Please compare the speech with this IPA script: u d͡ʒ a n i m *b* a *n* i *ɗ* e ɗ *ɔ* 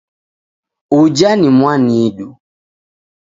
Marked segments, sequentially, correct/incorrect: incorrect, correct, incorrect, incorrect

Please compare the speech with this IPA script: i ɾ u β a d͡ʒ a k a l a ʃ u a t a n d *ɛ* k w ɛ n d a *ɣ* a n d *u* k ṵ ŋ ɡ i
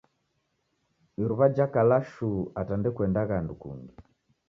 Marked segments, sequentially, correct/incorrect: correct, correct, correct

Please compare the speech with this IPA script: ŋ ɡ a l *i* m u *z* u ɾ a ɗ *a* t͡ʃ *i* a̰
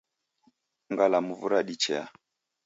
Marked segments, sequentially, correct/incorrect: incorrect, incorrect, incorrect, incorrect

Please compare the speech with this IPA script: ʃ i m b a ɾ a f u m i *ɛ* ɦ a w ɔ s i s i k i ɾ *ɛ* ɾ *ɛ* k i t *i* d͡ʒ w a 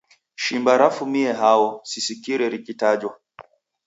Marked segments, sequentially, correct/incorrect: correct, correct, incorrect, incorrect

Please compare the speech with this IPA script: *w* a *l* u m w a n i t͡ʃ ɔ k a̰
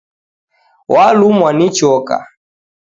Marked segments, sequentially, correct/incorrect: correct, correct

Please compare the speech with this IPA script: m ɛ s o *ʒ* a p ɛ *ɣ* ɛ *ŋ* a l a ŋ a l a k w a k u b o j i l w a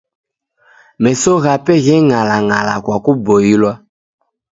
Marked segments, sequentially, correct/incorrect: incorrect, correct, correct

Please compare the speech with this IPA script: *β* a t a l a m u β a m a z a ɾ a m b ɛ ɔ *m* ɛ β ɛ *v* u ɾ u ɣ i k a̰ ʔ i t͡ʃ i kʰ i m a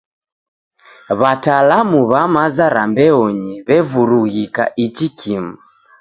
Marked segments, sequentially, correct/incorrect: correct, incorrect, correct

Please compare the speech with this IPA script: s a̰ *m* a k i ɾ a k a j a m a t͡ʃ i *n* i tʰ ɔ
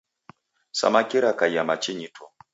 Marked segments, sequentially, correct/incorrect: correct, incorrect

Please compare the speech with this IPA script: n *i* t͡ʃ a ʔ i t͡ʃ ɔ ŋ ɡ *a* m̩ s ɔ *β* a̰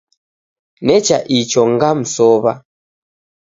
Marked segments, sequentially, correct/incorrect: incorrect, correct, correct

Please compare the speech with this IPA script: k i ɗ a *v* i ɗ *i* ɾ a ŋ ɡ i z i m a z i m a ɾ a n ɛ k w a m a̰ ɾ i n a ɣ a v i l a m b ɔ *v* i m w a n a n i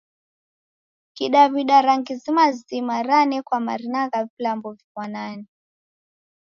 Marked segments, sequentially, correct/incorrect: incorrect, incorrect, correct

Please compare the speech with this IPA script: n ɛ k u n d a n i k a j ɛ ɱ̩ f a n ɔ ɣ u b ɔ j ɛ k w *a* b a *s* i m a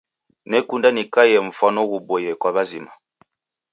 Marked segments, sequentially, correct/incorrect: correct, incorrect

